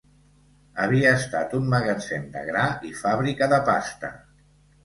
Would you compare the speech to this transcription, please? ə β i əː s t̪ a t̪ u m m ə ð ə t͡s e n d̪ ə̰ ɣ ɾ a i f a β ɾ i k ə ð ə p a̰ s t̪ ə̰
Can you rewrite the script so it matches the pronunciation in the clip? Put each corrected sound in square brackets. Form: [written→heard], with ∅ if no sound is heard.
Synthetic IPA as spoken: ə β i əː s t̪ a t̪ u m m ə [ð→ɣ] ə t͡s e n d̪ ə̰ ɣ ɾ a i f a β ɾ i k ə ð ə p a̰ s t̪ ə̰